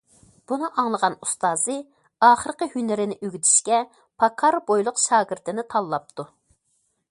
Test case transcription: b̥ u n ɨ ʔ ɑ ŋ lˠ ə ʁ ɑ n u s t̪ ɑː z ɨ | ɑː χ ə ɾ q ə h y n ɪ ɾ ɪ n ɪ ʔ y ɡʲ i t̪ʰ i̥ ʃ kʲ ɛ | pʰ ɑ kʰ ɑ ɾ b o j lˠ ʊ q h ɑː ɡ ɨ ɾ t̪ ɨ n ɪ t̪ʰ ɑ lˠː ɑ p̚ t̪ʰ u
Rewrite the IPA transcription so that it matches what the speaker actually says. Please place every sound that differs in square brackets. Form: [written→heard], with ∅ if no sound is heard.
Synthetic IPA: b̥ u n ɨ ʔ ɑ ŋ lˠ ə ʁ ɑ n u s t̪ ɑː z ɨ | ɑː χ ə ɾ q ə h y n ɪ ɾ ɪ n ɪ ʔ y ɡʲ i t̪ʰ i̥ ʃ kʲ ɛ | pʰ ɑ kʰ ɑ ɾ b o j lˠ ʊ q [h→ʃ] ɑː ɡ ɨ ɾ t̪ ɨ n ɪ t̪ʰ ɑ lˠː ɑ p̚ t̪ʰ u